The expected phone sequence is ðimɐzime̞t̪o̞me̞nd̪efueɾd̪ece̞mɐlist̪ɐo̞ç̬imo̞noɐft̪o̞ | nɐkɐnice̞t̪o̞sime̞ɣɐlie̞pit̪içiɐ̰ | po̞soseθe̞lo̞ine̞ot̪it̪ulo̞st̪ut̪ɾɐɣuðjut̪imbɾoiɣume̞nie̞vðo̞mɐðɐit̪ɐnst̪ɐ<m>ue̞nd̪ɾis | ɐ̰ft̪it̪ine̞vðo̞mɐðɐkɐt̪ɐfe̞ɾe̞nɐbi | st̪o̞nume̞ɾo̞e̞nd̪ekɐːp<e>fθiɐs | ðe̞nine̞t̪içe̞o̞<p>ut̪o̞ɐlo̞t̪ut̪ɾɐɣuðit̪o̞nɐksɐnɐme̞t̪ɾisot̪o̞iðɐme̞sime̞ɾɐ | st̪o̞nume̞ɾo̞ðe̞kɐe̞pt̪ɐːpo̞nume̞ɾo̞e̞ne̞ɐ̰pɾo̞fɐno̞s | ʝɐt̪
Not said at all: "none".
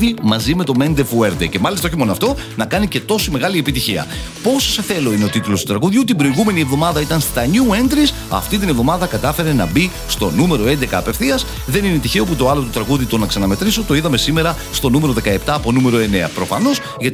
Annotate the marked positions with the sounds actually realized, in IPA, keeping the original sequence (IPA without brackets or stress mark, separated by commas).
ɲ, e, p